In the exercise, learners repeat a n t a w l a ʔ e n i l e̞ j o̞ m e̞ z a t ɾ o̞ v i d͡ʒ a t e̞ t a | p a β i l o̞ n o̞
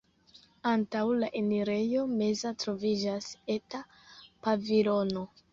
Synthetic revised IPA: a n t a w l a ʔ e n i ɾ e̞ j o̞ m e̞ z a t ɾ o̞ v i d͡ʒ a s e̞ t a | p a v i l o̞ n o̞